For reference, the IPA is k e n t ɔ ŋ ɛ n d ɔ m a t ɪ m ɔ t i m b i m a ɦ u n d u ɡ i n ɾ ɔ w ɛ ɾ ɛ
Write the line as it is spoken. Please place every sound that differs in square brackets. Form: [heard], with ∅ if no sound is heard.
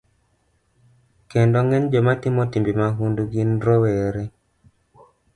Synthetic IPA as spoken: k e n [d] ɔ ŋ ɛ n [d͡ʒ] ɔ m a t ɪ m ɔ t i m b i m a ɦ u n d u ɡ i n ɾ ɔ w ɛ ɾ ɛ